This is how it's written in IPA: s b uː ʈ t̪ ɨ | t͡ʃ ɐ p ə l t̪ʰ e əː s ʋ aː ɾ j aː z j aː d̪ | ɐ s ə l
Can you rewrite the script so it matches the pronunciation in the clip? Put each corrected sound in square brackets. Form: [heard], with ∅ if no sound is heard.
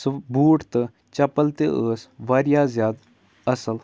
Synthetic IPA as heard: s b uː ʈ t̪ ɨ | t͡ʃ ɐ p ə l [t̪] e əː s ʋ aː ɾ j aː z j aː d̪ | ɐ s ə l